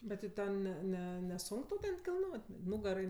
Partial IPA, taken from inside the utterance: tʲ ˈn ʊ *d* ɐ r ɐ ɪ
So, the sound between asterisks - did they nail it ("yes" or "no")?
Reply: no